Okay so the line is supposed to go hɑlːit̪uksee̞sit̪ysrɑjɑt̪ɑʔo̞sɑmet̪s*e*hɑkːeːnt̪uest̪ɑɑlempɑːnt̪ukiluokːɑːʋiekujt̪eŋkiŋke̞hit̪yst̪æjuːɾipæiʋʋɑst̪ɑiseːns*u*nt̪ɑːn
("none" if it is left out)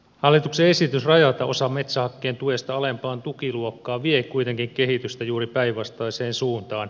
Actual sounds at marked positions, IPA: æ, uː

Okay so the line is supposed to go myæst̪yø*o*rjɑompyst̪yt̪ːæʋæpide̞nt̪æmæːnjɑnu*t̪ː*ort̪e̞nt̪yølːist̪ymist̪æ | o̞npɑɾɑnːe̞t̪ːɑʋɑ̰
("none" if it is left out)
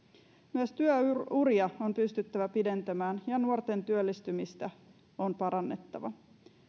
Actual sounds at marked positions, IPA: u, none

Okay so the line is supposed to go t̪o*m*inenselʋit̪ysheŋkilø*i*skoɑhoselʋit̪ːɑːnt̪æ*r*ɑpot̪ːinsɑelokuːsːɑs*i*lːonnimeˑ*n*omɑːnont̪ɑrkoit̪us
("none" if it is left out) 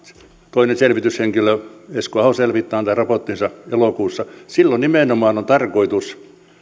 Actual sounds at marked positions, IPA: none, e, r, i, n

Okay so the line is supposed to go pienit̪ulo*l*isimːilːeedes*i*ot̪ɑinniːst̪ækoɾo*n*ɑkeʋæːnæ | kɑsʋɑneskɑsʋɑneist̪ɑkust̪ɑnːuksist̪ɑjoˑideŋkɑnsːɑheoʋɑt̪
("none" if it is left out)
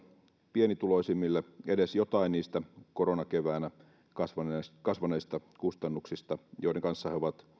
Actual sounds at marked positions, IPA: none, j, n

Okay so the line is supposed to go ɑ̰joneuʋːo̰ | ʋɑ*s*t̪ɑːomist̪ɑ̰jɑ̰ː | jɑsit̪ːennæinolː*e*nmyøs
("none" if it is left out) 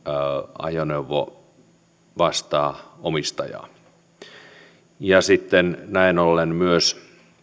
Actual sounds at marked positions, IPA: s, e

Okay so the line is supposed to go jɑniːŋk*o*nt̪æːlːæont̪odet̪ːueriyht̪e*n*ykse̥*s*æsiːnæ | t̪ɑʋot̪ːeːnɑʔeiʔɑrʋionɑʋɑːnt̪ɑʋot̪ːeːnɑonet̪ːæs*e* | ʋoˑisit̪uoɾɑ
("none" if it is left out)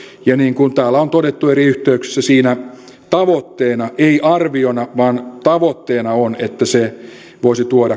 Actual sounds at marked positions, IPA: u, none, sː, e

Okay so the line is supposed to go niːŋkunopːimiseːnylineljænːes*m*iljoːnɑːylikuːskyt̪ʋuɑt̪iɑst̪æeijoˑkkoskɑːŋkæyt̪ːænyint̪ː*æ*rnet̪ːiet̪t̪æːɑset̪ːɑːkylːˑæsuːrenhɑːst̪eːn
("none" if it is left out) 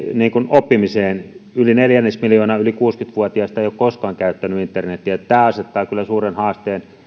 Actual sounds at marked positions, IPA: m, e

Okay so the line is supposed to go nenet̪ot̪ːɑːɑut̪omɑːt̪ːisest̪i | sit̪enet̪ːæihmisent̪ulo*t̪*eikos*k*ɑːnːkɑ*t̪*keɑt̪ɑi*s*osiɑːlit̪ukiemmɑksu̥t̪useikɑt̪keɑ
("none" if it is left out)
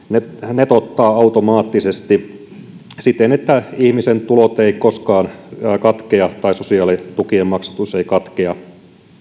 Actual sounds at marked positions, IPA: t̪, k, t̪, s

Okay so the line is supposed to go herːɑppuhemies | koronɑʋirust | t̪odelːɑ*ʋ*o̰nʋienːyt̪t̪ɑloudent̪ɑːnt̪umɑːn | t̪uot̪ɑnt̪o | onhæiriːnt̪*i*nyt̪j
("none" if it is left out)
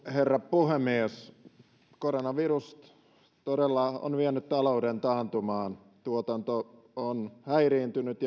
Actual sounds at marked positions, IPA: none, y

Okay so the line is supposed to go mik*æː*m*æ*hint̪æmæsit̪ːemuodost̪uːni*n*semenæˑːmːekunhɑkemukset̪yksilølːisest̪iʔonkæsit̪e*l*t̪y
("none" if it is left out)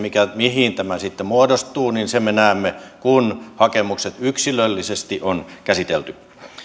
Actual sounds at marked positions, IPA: æ, i, n, l

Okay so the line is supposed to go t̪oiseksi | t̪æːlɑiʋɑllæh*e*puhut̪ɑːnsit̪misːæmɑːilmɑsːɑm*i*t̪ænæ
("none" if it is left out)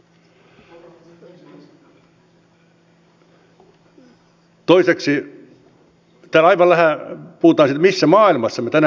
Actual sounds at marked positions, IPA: æ, e

